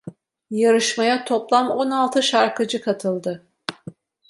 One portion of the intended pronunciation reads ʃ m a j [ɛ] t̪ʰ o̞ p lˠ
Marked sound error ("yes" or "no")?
yes